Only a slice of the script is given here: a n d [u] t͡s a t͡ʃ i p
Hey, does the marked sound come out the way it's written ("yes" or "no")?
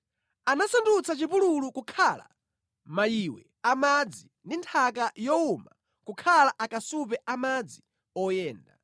yes